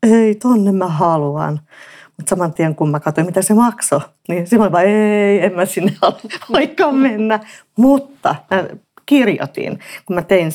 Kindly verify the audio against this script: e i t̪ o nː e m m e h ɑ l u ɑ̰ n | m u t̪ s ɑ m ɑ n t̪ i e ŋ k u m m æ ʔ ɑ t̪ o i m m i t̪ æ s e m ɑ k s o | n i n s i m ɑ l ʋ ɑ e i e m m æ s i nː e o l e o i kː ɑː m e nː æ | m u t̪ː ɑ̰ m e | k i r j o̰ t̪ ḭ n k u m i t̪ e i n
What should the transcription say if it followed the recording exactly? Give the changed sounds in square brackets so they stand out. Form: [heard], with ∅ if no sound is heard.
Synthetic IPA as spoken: e i t̪ o nː e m m [æ] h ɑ l u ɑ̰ n | m u t̪ s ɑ m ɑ n t̪ i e ŋ k u m m æ [k] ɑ t̪ o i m m i t̪ æ s e m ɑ k s o | n i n s i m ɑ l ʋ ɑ e i e m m æ s i nː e o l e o i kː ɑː m e nː æ | m u t̪ː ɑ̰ m [æ] | k i r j o̰ t̪ ḭ n k u m [æ] t̪ e i n